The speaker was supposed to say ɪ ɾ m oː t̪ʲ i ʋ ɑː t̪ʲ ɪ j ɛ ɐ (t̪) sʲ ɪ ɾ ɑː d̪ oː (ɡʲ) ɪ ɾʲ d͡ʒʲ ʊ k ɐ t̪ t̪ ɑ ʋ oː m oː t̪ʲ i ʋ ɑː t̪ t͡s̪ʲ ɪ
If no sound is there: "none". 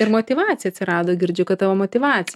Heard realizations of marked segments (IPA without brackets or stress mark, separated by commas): t̪, ɡʲ